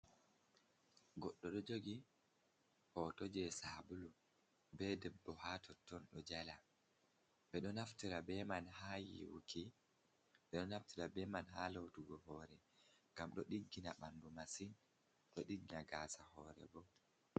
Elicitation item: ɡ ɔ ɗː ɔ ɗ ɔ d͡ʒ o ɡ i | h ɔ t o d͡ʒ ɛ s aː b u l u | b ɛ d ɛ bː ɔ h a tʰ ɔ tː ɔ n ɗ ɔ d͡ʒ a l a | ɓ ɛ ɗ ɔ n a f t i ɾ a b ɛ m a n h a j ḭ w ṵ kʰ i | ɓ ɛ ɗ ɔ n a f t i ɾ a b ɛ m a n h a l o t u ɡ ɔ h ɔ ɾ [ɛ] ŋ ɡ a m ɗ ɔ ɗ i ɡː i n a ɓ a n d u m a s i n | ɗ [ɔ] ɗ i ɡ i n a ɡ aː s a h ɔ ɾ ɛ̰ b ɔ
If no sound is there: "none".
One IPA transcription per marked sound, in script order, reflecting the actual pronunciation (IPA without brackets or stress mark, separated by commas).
ɛ, ɔ